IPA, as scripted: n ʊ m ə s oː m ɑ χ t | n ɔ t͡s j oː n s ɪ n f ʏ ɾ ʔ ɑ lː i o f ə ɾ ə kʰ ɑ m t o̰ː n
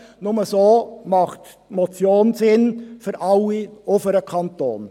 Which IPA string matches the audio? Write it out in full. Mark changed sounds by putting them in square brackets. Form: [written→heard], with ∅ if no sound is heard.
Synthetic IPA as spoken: n ʊ m ə s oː m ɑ χ t | [n→m] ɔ t͡s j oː n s ɪ n f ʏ ɾ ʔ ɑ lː i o f ə ɾ ə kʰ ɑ [m→n] t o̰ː n